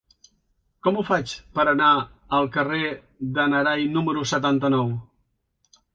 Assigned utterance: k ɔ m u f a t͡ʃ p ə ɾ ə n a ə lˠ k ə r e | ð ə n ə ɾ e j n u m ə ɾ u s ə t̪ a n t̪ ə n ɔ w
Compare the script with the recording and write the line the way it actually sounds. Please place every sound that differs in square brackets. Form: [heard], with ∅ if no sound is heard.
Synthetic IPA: k ɔ m u f a t͡ʃ p ə ɾ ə n a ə lˠ k ə r e | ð ə n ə ɾ [a] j n u m ə ɾ u s ə t̪ a n t̪ ə n ɔ w